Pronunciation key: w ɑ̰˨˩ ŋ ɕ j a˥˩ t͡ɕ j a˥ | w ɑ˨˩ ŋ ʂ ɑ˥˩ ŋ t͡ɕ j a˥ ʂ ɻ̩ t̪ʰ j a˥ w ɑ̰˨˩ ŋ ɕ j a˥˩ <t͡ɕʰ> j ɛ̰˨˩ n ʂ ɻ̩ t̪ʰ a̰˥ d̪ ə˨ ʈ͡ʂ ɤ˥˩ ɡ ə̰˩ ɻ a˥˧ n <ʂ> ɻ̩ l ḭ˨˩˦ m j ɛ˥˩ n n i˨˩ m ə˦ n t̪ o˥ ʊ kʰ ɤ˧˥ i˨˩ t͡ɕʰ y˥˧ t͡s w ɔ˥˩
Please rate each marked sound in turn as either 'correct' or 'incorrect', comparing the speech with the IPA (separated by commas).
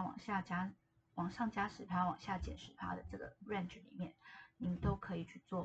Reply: incorrect, incorrect